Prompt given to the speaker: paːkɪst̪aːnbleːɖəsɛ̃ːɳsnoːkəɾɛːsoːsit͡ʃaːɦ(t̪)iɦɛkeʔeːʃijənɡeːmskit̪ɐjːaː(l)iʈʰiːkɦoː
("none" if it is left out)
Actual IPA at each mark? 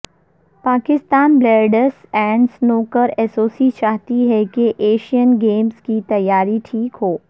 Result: t̪, ɾ

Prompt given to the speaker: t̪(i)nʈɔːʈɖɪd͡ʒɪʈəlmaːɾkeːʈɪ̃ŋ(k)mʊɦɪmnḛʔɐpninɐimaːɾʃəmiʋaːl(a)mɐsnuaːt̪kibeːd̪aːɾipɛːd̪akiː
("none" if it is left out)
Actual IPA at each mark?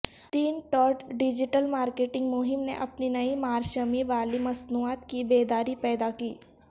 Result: iː, ɡ, i

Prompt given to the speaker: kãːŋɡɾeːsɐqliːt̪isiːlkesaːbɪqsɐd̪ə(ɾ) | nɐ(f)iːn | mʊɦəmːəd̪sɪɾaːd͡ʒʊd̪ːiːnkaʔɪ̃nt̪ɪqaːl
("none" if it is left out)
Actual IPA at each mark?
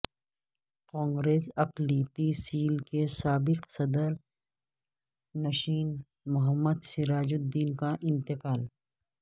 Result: ɾ, ʃ

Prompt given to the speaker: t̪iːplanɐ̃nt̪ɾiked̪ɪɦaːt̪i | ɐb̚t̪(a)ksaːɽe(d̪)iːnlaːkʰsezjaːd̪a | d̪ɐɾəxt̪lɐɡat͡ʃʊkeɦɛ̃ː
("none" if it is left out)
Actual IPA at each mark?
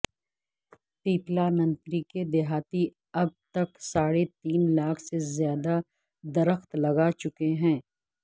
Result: ɐ, t̪

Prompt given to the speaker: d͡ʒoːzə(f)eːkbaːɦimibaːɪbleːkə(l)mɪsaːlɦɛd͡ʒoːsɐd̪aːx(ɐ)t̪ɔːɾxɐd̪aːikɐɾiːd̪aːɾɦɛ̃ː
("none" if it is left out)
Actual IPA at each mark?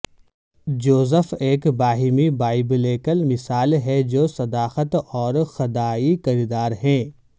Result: f, l, ə

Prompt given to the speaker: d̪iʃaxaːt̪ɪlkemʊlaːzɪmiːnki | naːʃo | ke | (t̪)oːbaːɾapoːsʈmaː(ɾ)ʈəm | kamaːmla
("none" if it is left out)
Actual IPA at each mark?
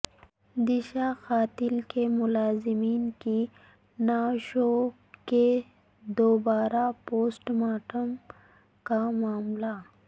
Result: d̪, none

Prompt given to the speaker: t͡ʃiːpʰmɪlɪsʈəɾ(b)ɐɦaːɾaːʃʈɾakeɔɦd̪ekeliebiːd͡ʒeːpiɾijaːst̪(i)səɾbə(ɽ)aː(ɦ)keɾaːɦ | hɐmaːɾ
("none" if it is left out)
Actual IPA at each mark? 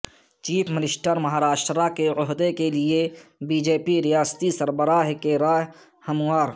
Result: m, i, ɾ, ɦ

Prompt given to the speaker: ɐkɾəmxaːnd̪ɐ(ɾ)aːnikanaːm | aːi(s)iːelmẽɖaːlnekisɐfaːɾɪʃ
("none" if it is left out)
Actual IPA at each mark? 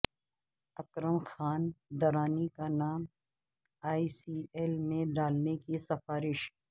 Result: ɾ, s

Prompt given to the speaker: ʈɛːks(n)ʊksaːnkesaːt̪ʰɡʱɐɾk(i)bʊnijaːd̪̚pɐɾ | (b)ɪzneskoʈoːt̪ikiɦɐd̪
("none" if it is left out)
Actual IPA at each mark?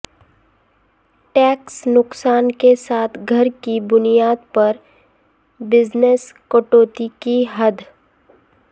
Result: n, i, b

